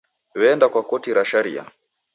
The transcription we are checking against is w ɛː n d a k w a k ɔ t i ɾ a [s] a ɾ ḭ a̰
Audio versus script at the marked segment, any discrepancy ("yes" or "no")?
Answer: yes